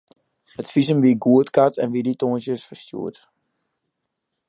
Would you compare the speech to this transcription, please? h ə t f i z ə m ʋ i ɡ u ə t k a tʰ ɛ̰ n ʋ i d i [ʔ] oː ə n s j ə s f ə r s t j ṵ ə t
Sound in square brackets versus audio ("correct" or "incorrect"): incorrect